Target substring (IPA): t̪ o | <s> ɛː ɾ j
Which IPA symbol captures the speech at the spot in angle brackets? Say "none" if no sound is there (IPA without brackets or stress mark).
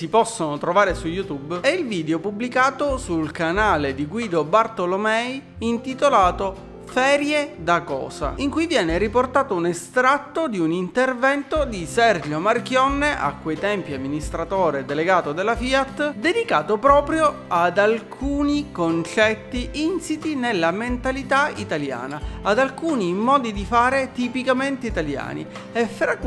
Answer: f